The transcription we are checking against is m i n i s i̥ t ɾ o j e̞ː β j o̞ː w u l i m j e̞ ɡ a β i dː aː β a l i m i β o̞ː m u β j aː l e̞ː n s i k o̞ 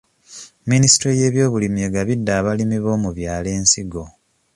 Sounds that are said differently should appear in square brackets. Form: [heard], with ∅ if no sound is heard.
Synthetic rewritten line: m i n i s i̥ t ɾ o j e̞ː β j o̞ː [β] u l i m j e̞ ɡ a β i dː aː β a l i m i β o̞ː m u β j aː l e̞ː n s i [ɡ] o̞

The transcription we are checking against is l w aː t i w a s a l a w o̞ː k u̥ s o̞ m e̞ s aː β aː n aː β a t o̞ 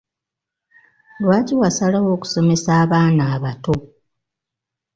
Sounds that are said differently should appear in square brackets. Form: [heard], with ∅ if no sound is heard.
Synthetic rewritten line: l w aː [c] i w a s a l a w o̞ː k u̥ s o̞ m e̞ s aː β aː n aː β a t o̞

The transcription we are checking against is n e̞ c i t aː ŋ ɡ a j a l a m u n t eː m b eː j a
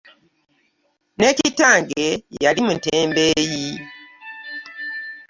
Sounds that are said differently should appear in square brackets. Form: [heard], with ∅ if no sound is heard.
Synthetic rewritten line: n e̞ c i t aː ŋ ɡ [e] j a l [i] m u n t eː m b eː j [i]

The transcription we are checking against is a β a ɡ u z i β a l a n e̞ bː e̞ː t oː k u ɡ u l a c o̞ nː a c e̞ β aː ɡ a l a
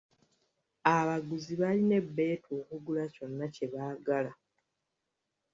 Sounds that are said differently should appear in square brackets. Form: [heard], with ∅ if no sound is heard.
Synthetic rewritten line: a β a ɡ u z i β a l [i] n e̞ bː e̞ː t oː k u ɡ u l a c o̞ nː a c e̞ β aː ɡ a l a

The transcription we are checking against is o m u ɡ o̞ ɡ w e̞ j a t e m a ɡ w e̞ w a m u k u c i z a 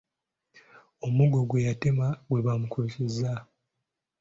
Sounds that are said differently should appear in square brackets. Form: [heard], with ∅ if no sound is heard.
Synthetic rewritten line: o m u ɡ o̞ ɡ w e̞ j a t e m a ɡ w e̞ [β] a m u k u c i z a

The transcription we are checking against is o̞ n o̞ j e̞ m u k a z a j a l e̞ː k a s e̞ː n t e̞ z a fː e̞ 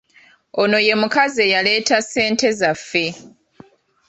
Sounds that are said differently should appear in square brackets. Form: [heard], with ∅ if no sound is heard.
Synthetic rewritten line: o̞ n o̞ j e̞ m u k a z [e] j a l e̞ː [t] a s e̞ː n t e̞ z a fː e̞

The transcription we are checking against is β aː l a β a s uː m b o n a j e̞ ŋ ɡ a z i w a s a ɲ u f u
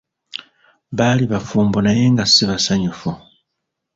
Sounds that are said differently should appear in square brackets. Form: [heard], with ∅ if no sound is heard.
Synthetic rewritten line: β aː l [i] β a [f] uː m b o n a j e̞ ŋ ɡ a [s] i [β] a s a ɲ u f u

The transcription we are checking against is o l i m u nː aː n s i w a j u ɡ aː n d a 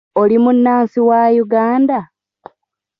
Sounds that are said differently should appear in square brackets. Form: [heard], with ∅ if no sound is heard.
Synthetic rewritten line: o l i m u nː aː n s i w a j u ɡ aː n d a

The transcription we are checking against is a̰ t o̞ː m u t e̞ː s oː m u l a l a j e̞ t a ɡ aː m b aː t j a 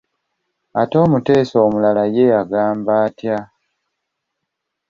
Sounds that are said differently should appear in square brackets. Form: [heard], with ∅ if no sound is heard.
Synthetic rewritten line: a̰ t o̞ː m u t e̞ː s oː m u l a l a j e̞ [∅] a ɡ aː m b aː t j a

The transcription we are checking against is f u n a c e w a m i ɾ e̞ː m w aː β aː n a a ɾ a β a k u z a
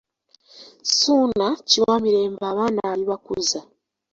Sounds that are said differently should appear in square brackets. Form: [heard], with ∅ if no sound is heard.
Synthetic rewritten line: [s] u n a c [i] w a m i ɾ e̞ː m [b] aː β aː n a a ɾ [i] β a k u z a

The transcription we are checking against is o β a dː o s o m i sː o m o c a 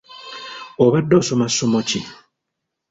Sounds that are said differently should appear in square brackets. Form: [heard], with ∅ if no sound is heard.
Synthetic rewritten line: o β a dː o s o m [a] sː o m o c [i]

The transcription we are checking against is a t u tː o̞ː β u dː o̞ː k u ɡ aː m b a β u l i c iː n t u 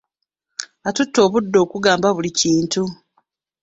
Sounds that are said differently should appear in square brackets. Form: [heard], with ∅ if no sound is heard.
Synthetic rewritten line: a t u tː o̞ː β u dː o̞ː k u ɡ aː m b a β u l i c iː n t u

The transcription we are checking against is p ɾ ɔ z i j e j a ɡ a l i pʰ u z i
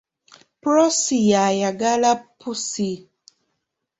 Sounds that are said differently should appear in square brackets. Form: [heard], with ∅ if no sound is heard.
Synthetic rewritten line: p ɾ ɔ [s] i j [a] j a ɡ a l [a] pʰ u [s] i

